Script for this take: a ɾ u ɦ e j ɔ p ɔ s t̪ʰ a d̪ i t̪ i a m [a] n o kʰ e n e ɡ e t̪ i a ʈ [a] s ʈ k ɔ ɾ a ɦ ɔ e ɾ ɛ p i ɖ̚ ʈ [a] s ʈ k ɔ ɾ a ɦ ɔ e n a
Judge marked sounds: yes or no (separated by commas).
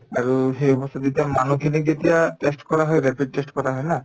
yes, no, no